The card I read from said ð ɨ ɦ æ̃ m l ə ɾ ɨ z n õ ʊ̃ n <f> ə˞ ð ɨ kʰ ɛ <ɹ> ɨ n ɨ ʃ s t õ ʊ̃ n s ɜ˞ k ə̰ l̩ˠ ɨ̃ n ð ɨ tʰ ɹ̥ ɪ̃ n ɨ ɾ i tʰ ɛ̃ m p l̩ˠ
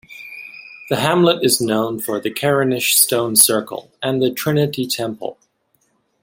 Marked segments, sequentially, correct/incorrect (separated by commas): correct, correct